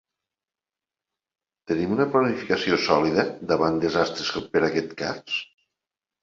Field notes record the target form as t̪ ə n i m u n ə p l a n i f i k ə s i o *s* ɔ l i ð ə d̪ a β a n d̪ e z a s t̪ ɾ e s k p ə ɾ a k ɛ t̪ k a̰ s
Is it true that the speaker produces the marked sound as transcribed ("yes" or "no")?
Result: yes